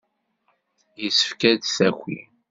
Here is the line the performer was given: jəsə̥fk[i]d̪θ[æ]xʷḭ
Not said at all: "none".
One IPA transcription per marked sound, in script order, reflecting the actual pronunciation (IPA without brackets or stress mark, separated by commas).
æ, æ